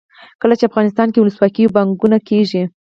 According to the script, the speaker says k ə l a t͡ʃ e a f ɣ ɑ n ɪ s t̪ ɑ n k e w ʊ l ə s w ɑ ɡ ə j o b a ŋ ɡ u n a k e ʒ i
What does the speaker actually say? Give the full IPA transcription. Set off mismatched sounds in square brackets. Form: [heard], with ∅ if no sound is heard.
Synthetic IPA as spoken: k ə l a t͡ʃ e a f ɣ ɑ n ɪ s t̪ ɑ n k e w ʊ l ə s w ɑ [k] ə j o b a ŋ ɡ u n a k e ʒ i